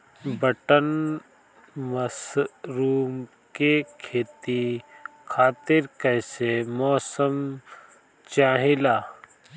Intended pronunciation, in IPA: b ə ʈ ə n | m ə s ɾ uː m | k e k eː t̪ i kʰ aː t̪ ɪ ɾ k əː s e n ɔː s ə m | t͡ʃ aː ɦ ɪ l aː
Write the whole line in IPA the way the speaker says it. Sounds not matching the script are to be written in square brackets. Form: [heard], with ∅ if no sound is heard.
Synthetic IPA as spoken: b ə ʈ ə n | m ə s ɾ uː m | k e [kʰ] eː t̪ i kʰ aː t̪ ɪ ɾ k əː s e [m] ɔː s ə m | t͡ʃ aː ɦ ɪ l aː